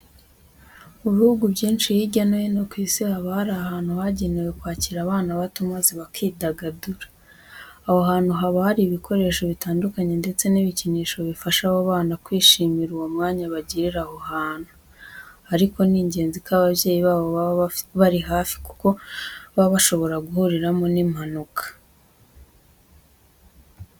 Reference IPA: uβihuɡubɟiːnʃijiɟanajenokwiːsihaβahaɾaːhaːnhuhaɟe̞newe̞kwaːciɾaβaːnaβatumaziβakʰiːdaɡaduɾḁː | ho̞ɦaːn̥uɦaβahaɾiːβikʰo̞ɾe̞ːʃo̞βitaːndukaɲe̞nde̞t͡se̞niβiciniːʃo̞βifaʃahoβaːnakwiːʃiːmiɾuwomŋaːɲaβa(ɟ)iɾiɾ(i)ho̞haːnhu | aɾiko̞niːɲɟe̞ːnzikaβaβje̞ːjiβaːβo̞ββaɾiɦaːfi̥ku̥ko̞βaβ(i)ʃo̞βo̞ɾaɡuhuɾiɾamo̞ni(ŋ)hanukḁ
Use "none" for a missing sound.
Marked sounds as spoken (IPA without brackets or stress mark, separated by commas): ɟ, a, a, m